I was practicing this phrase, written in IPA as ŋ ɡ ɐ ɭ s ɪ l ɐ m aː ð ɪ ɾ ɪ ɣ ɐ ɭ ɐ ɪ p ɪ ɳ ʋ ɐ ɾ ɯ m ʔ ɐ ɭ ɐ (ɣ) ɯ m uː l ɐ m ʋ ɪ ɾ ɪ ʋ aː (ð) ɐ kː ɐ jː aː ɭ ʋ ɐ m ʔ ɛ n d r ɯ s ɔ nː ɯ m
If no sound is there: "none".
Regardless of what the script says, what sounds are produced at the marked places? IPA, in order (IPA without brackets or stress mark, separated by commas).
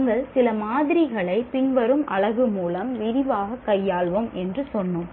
ɣ, ɣ